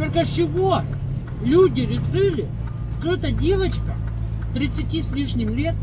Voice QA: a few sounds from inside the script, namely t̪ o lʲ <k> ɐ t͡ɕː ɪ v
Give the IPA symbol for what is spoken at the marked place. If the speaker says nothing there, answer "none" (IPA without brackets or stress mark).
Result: k